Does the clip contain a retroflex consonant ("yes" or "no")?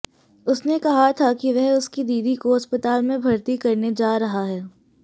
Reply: no